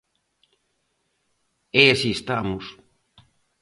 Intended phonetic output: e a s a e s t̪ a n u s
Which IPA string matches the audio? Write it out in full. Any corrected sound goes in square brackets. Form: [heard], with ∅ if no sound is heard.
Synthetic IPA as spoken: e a s [i] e s t̪ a [m] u s